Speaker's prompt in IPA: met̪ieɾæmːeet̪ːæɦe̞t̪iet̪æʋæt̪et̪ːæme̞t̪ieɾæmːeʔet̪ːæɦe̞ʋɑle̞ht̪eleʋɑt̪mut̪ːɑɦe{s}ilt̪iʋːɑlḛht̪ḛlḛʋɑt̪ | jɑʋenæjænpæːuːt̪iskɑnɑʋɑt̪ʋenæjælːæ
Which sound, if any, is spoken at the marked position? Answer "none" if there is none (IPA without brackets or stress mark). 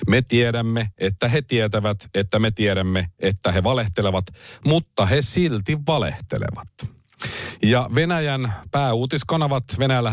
s